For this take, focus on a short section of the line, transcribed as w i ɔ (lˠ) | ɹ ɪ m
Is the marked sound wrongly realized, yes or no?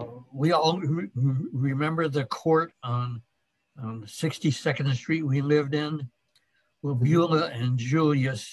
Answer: no